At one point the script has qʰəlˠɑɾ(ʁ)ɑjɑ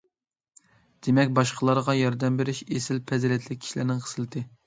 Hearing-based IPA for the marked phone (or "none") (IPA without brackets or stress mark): ʁ